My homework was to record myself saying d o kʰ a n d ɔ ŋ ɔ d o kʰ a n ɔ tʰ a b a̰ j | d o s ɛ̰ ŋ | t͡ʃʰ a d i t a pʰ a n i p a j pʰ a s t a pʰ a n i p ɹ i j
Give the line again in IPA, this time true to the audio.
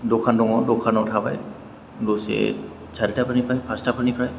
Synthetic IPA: d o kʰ a n d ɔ ŋ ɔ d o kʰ a n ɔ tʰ a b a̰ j | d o s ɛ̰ | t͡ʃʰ a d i t a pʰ a n i p a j pʰ a s t a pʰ a n i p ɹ a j